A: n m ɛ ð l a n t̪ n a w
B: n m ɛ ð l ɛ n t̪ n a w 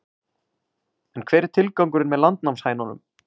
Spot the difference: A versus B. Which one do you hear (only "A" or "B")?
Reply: A